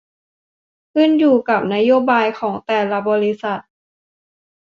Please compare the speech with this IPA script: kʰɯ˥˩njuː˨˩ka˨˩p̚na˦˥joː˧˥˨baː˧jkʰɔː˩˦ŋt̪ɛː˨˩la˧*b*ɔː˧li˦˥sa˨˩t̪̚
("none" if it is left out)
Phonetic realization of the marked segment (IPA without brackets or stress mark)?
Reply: b